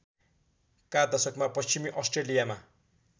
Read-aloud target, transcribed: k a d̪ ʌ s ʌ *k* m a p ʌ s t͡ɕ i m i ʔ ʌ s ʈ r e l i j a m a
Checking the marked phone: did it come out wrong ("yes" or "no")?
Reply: no